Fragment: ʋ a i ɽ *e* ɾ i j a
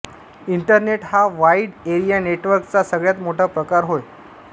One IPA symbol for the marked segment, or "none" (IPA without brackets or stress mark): e